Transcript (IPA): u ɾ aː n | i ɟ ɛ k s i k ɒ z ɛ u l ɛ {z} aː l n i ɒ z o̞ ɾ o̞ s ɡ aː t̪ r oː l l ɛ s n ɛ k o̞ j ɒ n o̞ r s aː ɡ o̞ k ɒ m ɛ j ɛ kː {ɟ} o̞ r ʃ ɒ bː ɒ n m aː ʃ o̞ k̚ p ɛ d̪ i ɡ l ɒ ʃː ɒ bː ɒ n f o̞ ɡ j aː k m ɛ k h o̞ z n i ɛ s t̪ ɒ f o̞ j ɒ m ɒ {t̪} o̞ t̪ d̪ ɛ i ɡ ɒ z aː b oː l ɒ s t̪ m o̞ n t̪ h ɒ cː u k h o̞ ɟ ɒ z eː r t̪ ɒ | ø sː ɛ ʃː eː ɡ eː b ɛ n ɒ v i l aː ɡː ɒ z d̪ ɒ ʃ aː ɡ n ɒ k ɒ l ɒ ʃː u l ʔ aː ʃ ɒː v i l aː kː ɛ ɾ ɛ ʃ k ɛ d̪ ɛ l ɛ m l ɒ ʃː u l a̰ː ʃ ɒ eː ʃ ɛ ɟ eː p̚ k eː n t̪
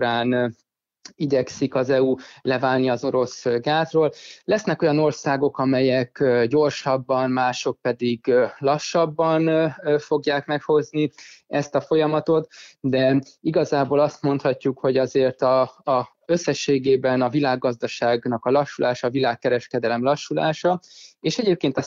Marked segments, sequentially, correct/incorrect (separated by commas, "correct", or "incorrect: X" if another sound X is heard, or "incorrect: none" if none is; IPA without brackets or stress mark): incorrect: v, correct, correct